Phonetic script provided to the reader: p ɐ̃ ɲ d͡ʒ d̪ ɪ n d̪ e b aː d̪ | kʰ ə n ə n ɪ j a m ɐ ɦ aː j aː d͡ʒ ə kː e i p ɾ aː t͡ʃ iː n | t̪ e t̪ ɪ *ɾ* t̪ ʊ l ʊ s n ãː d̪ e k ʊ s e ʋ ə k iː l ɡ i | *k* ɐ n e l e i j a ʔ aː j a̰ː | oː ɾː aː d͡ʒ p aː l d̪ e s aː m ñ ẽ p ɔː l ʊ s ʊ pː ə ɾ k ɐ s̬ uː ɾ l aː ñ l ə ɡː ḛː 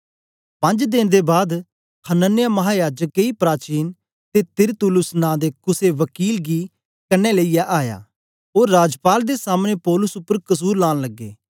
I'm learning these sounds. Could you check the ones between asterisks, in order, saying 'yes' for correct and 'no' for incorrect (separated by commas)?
yes, yes